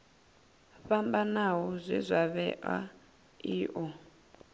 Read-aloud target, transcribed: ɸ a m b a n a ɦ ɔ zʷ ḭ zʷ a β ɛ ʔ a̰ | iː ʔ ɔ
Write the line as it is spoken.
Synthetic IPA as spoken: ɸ a m b a n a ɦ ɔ zʷ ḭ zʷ a β ɛ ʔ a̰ | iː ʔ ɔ